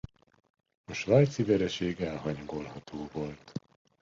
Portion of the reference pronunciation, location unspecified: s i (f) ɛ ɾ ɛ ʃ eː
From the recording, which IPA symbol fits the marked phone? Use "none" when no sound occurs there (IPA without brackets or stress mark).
v